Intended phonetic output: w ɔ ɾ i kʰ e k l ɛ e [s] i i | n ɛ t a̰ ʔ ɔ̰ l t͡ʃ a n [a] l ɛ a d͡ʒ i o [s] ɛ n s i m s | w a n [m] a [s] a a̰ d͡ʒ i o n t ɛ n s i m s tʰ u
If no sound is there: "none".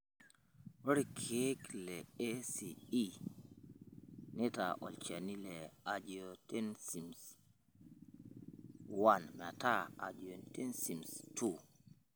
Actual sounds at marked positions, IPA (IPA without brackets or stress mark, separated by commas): s, i, t, m, t